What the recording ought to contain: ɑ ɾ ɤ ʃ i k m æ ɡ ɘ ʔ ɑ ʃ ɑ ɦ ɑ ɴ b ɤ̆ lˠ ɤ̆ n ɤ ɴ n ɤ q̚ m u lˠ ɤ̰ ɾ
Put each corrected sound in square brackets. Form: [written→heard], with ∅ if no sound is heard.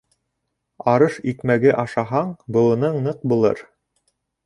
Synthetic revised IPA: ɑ ɾ ɤ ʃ i k m æ ɡ ɘ ʔ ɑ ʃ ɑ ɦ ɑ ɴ b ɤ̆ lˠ ɤ̆ n ɤ ɴ n ɤ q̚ [m→b] u lˠ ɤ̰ ɾ